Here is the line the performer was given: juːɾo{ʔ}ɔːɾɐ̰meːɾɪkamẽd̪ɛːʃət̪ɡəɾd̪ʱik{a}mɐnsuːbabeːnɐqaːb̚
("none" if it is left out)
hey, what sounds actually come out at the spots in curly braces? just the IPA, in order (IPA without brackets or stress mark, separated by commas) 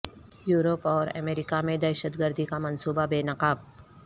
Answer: p, a